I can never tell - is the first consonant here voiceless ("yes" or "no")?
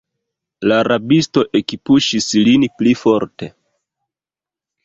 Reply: no